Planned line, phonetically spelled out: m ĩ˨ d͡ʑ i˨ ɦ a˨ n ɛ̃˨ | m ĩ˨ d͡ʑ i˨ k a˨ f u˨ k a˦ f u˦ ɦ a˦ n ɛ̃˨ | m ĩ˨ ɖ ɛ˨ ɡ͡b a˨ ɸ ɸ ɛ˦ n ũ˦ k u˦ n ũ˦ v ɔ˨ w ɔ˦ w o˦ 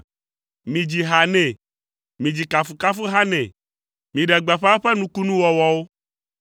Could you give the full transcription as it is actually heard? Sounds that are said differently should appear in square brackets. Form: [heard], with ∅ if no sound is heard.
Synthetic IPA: m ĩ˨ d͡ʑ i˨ ɦ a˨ n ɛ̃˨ | m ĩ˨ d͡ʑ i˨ k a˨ f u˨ k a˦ f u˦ ɦ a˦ n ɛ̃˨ | m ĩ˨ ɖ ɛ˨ ɡ͡b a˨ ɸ ɸ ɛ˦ n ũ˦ k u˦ n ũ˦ [w] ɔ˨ w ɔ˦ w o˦